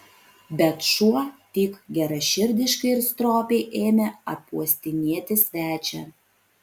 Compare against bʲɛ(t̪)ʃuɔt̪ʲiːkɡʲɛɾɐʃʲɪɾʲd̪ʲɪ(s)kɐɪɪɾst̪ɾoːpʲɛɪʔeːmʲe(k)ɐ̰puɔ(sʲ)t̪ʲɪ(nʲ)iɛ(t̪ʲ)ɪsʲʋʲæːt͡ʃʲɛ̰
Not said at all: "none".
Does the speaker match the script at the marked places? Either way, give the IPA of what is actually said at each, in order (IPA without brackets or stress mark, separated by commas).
t̪, ʃ, none, sʲ, nʲ, t̪ʲ